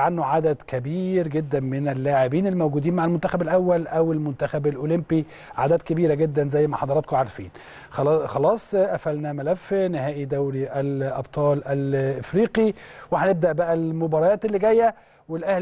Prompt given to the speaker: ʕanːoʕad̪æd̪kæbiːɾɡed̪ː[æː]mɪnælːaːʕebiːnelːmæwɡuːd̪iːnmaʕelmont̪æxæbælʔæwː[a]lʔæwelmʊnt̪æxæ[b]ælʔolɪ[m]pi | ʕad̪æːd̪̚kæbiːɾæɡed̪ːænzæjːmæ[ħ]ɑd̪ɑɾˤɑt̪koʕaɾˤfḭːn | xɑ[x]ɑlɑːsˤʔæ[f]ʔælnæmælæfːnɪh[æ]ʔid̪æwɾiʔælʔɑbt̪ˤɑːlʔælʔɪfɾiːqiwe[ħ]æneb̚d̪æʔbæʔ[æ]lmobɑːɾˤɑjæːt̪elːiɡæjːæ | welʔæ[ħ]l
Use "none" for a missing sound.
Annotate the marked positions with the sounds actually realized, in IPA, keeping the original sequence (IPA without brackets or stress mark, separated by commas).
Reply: æ, æ, b, m, ħ, x, f, æː, ħ, æ, h